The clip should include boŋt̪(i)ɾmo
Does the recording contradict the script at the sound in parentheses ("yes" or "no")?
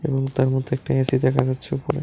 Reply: yes